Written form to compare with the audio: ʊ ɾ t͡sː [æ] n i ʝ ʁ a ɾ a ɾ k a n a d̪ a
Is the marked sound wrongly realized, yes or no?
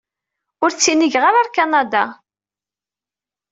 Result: yes